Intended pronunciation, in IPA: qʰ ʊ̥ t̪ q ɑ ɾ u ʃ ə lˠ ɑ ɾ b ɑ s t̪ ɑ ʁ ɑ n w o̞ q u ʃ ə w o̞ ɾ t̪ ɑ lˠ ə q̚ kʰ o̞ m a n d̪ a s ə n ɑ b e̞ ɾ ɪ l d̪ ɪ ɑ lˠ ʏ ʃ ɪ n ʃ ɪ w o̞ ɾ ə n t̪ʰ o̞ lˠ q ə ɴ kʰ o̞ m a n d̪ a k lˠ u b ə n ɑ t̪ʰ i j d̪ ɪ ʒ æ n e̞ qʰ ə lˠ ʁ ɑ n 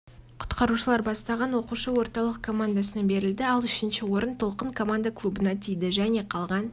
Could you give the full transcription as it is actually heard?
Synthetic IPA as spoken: qʰ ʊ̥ t̪ q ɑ ɾ u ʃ ə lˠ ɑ ɾ b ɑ s t̪ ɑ ʁ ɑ n w o̞ q u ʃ ə w o̞ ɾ t̪ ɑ lˠ ə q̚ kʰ o̞ m a n d̪ a s ə n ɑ b e̞ ɾ ɪ l d̪ ɪ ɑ lˠ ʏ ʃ ɪ n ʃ ɪ w o̞ ɾ ə n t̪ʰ o̞ lˠ q ə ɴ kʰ o̞ m a n d̪ a k lˠ u b ə n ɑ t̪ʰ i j d̪ ɪ ʒ æ n e̞ qʰ ɑ lˠ ʁ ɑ n

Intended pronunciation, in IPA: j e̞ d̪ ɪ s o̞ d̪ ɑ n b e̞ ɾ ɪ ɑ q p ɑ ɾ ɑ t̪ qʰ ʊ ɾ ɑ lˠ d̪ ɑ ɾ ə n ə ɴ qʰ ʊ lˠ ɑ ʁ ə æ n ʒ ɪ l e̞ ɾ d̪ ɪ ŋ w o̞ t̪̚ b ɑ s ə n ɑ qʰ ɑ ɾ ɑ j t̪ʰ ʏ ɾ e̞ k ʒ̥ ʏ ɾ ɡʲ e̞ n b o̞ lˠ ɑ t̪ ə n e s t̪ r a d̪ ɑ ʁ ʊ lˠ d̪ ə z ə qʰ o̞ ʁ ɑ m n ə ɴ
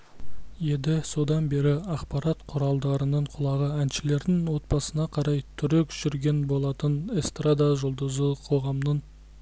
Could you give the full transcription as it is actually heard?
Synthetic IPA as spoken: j e̞ d̪ ɪ s o̞ d̪ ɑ n b e̞ ɾ ɪ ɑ q p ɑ ɾ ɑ t̪ qʰ ʊ ɾ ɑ lˠ d̪ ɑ ɾ ə n ə ɴ qʰ ʊ lˠ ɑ ʁ ə æ n ʃ ɪ l e̞ ɾ d̪ ɪ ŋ w o̞ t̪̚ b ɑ s ə n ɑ qʰ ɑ ɾ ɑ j t̪ʰ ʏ ɾ e̞ k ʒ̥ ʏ ɾ ɡʲ e̞ n b o̞ lˠ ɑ t̪ ə n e s t̪ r a d̪ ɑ ʒ ʊ lˠ d̪ ə z ə qʰ o̞ ʁ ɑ m n ə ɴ

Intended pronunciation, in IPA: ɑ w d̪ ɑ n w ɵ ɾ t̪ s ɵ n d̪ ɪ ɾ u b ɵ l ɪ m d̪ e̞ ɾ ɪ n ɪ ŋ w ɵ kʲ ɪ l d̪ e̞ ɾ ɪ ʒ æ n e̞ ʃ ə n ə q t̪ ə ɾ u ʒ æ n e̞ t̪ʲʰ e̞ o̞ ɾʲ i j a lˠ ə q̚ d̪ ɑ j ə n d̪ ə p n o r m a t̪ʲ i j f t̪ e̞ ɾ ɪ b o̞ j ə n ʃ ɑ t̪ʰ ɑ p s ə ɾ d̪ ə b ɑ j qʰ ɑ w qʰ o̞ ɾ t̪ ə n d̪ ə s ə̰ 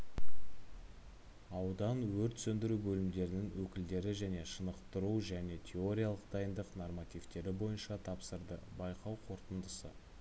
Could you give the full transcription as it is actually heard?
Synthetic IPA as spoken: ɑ w d̪ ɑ n w ɵ ɾ t̪ s ɵ n d̪ ɪ ɾ u b ɵ l ɪ m d̪ e̞ ɾ ɪ n ɪ ŋ w ɵ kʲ ɪ l d̪ e̞ ɾ ɪ ʒ æ n e̞ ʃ ə n ə q t̪ ə ɾ u ʒ æ n e̞ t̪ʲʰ e̞ o̞ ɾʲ i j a lˠ ə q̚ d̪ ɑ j ə n d̪ ə q n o r m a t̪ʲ i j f t̪ e̞ ɾ ɪ b o̞ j ə n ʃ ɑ t̪ʰ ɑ p s ə ɾ d̪ ə b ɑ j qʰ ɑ w qʰ o̞ ɾ t̪ ə n d̪ ə s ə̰

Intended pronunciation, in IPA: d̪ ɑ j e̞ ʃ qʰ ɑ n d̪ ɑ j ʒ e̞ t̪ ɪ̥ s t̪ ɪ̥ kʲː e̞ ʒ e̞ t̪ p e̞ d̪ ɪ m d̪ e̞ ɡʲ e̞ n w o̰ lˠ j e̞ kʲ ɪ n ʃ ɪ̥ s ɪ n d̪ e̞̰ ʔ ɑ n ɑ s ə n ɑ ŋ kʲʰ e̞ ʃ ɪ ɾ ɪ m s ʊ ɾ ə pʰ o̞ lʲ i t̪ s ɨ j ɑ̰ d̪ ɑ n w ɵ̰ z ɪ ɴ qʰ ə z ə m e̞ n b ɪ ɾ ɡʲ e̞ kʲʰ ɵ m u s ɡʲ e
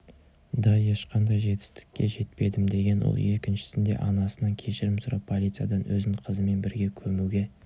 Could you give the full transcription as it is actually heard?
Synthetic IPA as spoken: d̪ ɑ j e̞ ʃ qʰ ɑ n d̪ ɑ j ʒ e̞ t̪ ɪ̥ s t̪ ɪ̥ kʲː e̞ ʒ e̞ t̪ p e̞ d̪ ɪ m d̪ e̞ ɡʲ e̞ n w o̰ lˠ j e̞ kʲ ɪ n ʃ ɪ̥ s ɪ n d̪ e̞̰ ʔ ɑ n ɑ s ə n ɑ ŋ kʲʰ e̞ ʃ ɪ ɾ ɪ m s ʊ ɾ ɑ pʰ o̞ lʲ i t̪ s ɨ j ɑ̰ d̪ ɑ n w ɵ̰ z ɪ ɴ qʰ ə z ə m e̞ n b ɪ ɾ ɡʲ e̞ kʲʰ ɵ m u ɡʲ e

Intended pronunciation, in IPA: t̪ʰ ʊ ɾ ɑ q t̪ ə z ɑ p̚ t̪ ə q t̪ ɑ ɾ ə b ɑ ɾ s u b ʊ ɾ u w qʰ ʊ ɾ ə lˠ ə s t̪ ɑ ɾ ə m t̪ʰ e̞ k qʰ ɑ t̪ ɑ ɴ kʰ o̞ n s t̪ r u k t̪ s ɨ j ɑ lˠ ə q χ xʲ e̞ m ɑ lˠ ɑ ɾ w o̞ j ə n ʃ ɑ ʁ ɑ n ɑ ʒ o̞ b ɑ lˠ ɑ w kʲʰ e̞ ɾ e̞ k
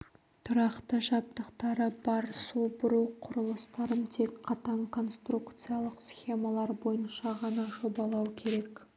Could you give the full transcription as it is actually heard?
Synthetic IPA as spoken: t̪ʰ ʊ ɾ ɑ q t̪ ə ʒ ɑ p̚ t̪ ə q t̪ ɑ ɾ ə b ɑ ɾ s u b ʊ ɾ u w qʰ ʊ ɾ ə lˠ ə s t̪ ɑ ɾ ə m t̪ʰ e̞ k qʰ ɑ t̪ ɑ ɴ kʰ o̞ n s t̪ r u k t̪ s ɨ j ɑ lˠ ə q s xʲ e̞ m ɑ lˠ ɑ ɾ b o̞ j ə n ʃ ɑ ʁ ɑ n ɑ ʒ o̞ b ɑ lˠ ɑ w kʲʰ e̞ ɾ e̞ k

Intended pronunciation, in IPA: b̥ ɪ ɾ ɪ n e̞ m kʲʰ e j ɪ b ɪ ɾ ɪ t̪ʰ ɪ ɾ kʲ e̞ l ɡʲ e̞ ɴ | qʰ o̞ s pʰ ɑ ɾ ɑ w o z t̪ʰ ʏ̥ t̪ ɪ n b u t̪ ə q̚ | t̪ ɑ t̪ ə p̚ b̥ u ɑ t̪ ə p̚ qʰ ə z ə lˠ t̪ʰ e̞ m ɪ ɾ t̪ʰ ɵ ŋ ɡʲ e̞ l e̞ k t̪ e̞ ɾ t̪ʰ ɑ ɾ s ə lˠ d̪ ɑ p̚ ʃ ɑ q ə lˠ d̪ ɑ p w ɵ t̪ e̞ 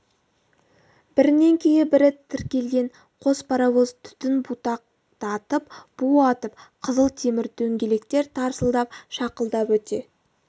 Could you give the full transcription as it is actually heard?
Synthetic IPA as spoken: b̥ ɪ ɾ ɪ n e̞ ŋ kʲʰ e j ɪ b ɪ ɾ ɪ t̪ʰ ɪ ɾ kʲ e̞ l ɡʲ e̞ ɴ | qʰ o̞ s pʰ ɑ ɾ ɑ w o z t̪ʰ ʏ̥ t̪ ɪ n b u t̪ ɑ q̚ | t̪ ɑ t̪ ə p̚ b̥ u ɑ t̪ ə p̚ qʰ ə z ə lˠ t̪ʰ e̞ m ɪ ɾ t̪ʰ ɵ ŋ ɡʲ e̞ l e̞ k t̪ e̞ ɾ t̪ʰ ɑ ɾ s ə lˠ d̪ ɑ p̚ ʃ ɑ q ə lˠ d̪ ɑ p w ɵ t̪ e̞

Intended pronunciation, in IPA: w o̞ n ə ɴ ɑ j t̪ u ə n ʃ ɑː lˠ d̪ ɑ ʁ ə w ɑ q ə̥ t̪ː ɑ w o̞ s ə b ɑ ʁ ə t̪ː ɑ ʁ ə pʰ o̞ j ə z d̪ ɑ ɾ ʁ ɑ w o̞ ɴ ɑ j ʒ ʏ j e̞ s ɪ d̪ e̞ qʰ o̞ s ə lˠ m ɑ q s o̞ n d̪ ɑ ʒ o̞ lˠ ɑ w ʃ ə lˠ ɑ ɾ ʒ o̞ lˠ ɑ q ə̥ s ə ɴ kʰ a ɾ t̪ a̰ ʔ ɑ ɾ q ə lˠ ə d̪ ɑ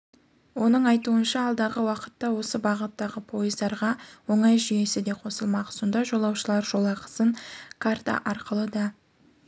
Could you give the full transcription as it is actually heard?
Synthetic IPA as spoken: w o̞ n ə ɴ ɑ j t̪ u ə n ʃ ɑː lˠ d̪ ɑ ʁ ə w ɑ q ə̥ t̪ː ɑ w o̞ s ə b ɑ ʁ ə t̪ː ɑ ʁ ə pʰ o̞ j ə z d̪ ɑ ɾ ʁ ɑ w o̞ ɴ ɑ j ʒ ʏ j e̞ s ɪ d̪ e̞ qʰ o̞ s ə lˠ m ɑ q s o̞ n d̪ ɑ ʒ o̞ lˠ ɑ w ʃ ə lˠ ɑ ɾ ʒ o̞ lˠ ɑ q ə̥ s ə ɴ kʰ a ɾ t̪ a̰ ʔ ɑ ɾ q ə lˠ ə d̪ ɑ

